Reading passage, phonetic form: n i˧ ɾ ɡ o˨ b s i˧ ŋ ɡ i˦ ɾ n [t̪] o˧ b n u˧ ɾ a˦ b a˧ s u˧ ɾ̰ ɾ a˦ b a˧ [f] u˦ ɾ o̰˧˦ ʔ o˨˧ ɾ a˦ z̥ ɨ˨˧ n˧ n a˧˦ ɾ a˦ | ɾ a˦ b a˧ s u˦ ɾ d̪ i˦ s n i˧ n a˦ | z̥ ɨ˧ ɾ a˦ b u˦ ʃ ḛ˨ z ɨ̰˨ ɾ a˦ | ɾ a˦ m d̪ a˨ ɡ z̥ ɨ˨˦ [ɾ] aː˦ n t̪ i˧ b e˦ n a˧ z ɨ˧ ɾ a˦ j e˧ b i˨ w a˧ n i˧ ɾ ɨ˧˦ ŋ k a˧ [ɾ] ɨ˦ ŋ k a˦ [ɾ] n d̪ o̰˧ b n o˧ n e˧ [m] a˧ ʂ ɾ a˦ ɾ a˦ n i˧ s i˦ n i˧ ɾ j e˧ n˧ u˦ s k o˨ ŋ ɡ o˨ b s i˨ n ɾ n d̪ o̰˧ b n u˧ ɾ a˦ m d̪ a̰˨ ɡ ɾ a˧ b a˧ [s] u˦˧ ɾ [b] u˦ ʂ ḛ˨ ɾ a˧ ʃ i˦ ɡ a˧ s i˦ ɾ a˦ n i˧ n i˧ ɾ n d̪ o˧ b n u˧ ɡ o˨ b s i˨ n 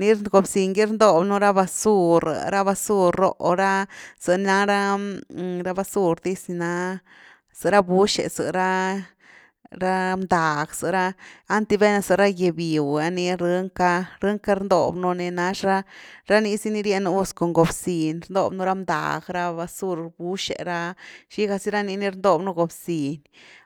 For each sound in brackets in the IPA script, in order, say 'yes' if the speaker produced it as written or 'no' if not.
no, no, yes, yes, yes, no, yes, yes

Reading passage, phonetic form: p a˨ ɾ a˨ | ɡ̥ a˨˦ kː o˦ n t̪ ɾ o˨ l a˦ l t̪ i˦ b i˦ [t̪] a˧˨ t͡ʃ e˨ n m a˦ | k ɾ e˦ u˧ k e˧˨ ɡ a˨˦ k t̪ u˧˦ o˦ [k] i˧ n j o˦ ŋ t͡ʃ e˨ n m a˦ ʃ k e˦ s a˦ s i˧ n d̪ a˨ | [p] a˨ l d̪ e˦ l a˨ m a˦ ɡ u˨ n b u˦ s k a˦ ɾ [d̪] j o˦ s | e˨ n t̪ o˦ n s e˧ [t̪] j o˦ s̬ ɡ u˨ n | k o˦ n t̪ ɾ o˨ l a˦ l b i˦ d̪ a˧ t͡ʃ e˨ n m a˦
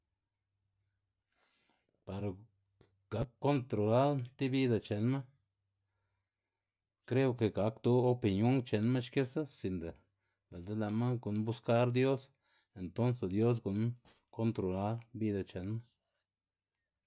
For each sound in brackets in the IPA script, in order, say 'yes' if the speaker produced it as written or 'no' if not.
no, no, no, yes, no

